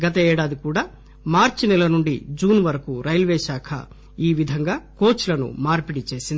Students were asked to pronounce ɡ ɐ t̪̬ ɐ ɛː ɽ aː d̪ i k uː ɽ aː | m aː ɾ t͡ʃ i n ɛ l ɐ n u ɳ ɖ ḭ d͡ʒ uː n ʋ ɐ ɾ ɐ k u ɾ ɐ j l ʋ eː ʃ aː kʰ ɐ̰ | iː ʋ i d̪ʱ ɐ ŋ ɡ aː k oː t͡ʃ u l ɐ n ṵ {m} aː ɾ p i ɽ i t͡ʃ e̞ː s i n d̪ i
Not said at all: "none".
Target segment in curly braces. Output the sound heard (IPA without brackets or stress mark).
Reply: m